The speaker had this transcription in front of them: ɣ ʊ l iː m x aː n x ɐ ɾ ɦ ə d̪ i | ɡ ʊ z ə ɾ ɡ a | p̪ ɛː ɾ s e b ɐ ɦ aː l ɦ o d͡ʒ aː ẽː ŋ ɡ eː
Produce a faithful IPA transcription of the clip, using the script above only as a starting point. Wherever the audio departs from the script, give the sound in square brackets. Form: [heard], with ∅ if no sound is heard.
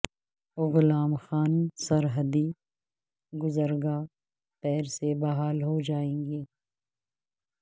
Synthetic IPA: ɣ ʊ l [aː] m x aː n [s] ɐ ɾ ɦ ə d̪ i | ɡ ʊ z ə ɾ ɡ a | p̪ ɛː ɾ s e b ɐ ɦ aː l ɦ o d͡ʒ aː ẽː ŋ ɡ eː